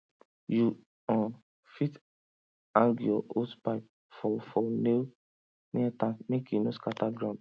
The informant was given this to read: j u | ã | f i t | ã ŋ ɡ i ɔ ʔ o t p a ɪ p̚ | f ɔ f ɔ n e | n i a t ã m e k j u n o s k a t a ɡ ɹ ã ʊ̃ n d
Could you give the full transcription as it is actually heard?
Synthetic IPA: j u | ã | f i t | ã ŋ ɡ j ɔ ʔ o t p a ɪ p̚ | f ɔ f ɔ n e | n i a t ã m e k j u n o s k a t a ɡ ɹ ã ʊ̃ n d